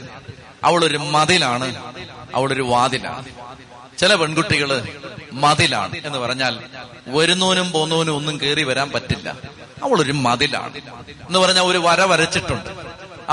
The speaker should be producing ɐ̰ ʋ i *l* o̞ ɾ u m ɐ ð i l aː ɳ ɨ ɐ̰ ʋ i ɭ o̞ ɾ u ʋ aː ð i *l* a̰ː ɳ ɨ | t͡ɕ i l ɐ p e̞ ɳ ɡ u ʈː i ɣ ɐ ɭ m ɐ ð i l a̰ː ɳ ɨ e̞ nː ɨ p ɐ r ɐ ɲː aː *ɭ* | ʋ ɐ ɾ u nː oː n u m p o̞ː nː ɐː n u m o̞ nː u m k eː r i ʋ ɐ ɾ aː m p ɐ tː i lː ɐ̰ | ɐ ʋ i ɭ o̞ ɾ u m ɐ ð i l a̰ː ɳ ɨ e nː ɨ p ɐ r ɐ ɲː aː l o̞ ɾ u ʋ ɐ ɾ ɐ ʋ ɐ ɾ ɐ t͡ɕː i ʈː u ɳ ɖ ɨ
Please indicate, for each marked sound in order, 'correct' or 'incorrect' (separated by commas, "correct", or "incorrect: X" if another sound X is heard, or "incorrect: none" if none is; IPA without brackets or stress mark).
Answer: incorrect: ɭ, correct, incorrect: l